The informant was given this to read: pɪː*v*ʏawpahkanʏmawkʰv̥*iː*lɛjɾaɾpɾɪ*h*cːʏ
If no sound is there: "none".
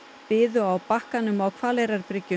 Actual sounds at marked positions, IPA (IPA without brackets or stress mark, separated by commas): ð, aː, none